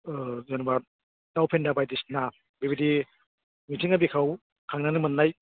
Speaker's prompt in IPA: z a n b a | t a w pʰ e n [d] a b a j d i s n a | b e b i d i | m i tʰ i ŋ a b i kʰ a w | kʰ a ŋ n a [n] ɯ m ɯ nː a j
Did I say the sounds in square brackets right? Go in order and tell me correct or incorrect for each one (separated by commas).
correct, correct